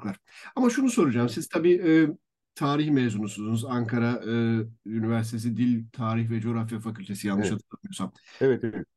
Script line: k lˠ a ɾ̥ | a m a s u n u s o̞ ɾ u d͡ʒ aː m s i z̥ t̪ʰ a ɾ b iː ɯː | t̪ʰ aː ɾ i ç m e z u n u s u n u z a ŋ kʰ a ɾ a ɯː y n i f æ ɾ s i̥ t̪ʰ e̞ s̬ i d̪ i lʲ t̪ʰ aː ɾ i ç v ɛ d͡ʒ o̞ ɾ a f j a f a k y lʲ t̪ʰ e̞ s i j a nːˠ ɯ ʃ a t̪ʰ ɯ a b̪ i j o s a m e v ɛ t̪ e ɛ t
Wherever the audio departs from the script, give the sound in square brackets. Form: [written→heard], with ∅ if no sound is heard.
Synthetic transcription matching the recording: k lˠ a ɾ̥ | a m a [s→ʃ] u n u s o̞ ɾ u d͡ʒ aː m s i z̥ t̪ʰ a [ɾ→∅] b iː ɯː | t̪ʰ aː ɾ i ç m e z u n u s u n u z a ŋ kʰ a ɾ a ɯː y n i [f→v] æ ɾ s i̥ t̪ʰ e̞ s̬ i d̪ i lʲ t̪ʰ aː ɾ i ç v ɛ d͡ʒ o̞ ɾ a f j a f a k y lʲ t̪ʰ e̞ s i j a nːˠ ɯ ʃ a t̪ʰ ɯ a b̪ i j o s a m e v ɛ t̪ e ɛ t